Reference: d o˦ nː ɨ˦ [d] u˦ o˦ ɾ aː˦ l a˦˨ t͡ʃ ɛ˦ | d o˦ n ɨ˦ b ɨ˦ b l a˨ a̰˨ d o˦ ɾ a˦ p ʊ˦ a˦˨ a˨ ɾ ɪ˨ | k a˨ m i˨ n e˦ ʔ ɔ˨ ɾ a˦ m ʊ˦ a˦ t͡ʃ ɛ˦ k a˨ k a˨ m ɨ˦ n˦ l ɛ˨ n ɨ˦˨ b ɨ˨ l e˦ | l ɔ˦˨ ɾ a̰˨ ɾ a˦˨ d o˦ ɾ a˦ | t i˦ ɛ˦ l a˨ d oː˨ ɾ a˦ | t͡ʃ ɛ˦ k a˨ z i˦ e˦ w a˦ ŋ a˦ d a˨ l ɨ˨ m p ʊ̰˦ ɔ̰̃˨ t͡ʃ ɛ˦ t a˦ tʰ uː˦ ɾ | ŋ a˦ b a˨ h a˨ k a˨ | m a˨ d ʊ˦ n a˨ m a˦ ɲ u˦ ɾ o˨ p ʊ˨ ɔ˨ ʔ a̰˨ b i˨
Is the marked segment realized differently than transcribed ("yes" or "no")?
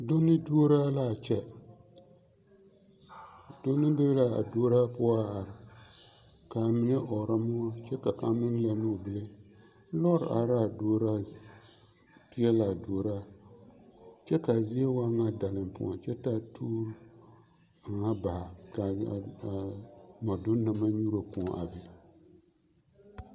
no